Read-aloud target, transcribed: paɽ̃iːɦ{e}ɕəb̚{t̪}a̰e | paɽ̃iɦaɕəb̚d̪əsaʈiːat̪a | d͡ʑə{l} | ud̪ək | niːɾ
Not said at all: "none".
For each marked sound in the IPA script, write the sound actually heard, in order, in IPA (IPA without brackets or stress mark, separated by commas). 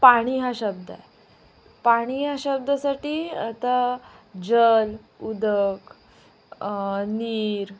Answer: a, d̪, l